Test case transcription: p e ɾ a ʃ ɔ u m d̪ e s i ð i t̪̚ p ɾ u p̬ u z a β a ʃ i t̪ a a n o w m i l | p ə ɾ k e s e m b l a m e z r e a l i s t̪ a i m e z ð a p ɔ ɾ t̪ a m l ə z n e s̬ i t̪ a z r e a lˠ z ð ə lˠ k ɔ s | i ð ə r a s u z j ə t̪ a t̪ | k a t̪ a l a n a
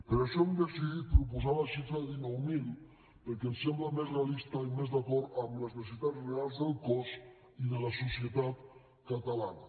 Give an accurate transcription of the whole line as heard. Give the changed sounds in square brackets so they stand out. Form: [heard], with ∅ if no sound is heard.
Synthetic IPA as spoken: p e ɾ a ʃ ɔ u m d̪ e s i ð i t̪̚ p ɾ u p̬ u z a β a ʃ i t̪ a [i] n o w m i l | p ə ɾ k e s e m b l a m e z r e a l i s t̪ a i m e z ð a [k] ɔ ɾ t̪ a m l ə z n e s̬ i t̪ a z r e a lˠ z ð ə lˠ k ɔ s | i ð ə [l] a s u [s] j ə t̪ a t̪ | k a t̪ a l a n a

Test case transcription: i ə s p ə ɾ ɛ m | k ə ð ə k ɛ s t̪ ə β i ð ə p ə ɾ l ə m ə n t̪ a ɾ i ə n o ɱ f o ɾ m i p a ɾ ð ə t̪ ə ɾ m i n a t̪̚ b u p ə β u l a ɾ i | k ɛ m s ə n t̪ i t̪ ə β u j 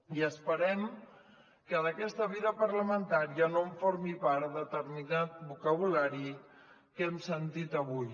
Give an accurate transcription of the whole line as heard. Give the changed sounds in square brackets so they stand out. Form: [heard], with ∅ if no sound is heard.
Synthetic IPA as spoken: i ə s p ə ɾ ɛ m | k ə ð ə k ɛ s t̪ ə β i ð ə p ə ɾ l ə m ə n t̪ a ɾ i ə n o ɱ f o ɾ m i p a ɾ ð ə t̪ ə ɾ m i n a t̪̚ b u [k] ə β u l a ɾ i | k ɛ m s ə n t̪ i t̪ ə β u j

